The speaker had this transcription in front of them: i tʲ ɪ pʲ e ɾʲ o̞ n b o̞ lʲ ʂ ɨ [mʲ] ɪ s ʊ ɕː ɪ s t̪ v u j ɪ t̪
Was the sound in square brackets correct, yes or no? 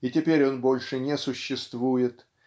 no